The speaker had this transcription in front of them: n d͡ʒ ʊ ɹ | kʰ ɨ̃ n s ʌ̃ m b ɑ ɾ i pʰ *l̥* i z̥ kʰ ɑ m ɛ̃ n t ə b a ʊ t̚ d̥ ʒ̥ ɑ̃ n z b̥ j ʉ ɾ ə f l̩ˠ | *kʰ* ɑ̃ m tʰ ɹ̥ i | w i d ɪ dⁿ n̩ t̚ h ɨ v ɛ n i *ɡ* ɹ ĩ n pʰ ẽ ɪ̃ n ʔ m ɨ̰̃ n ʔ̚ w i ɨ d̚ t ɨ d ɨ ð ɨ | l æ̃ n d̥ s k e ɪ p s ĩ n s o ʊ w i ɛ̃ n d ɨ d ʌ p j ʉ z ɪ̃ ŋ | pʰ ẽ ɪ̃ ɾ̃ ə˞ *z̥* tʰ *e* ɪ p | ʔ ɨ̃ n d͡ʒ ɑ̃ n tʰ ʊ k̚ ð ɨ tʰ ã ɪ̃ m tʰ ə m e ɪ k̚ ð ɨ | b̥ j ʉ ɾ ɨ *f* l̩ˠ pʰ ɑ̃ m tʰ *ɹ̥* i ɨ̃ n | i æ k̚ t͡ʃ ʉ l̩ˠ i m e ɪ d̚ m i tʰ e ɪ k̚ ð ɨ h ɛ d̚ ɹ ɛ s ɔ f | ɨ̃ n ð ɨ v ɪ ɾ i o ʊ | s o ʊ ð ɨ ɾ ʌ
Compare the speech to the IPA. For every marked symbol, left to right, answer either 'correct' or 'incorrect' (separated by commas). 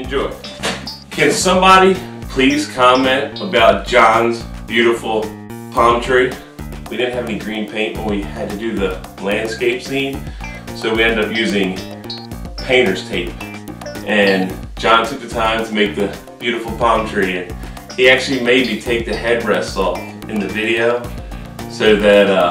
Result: correct, incorrect, correct, correct, correct, correct, correct